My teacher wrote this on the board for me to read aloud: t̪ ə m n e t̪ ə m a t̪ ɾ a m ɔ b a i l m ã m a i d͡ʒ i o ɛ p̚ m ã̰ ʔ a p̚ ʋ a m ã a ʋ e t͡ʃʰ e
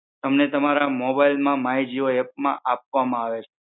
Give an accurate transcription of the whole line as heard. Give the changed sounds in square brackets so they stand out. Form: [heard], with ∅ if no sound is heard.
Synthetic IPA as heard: t̪ ə m n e t̪ ə m a [∅] ɾ a m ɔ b a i l m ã m a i d͡ʒ i o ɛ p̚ m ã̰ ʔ a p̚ ʋ a m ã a ʋ e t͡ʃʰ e